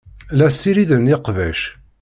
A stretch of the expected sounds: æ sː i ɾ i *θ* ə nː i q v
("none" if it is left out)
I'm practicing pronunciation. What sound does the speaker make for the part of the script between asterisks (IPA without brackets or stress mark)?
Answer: ð